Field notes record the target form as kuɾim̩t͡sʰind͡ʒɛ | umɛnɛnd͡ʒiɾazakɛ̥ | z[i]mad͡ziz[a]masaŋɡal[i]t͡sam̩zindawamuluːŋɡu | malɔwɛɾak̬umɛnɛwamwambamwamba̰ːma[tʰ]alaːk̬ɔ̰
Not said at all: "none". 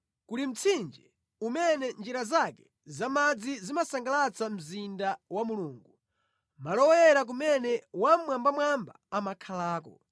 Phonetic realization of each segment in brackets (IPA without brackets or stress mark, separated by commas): a, i, a, kʰ